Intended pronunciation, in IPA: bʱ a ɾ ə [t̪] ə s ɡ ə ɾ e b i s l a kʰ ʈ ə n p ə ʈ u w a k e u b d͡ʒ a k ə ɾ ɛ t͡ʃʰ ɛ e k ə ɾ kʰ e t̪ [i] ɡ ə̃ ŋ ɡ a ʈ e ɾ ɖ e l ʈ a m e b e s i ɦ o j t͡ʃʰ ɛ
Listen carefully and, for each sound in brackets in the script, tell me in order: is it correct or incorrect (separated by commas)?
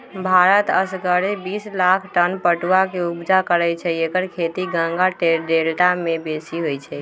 correct, correct